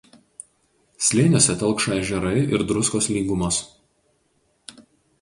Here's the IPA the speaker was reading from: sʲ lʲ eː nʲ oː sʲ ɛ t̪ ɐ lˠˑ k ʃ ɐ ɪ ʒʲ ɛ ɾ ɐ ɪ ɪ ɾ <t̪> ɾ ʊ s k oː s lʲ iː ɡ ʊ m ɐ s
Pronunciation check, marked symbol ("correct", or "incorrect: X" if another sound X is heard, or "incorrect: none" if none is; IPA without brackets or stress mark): incorrect: d̪